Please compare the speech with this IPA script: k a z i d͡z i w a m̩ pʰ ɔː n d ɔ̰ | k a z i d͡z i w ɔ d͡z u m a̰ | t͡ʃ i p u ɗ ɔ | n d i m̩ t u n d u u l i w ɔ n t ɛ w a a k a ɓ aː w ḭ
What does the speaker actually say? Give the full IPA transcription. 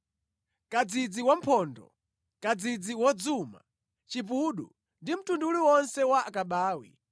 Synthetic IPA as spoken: k a d͡z i d͡z i w a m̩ pʰ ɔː n d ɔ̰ | k a d͡z i d͡z i w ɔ d͡z u m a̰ | t͡ʃ i p u ɗ u | n d i m̩ t u n d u u l i w ɔ n s ɛ w a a k a ɓ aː w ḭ